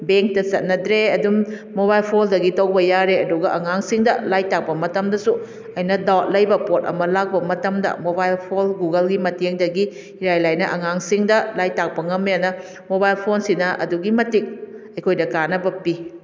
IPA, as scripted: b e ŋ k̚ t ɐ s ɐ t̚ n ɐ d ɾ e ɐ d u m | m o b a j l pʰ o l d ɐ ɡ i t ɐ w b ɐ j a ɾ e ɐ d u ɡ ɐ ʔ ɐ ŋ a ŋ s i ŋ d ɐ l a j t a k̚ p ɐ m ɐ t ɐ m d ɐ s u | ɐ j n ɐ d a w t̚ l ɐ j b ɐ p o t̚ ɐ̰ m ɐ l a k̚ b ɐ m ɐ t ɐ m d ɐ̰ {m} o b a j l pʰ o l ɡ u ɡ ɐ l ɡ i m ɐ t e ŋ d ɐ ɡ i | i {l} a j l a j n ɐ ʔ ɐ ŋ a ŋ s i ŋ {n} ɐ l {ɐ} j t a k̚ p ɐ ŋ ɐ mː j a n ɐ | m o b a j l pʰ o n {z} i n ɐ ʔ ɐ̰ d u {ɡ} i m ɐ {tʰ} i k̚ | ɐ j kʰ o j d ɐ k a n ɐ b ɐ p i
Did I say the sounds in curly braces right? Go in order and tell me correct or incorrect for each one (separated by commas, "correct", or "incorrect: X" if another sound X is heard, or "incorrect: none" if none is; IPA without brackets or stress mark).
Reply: correct, incorrect: ɾ, incorrect: d, incorrect: a, incorrect: s, correct, incorrect: t